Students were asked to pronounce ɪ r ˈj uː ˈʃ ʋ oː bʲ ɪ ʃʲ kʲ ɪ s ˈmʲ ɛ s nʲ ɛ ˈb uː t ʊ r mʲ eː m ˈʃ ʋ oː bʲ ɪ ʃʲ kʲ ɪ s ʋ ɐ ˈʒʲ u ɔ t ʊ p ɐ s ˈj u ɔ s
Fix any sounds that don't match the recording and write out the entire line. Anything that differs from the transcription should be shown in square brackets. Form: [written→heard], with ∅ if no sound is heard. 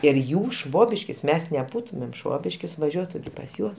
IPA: ɪ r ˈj uː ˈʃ ʋ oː bʲ ɪ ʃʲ kʲ ɪ s ˈmʲ ɛ s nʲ ɛ ˈb uː t ʊ [r→∅] mʲ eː m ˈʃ ʋ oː bʲ ɪ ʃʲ kʲ ɪ s ʋ ɐ ˈʒʲ u ɔ t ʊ p ɐ s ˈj u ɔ s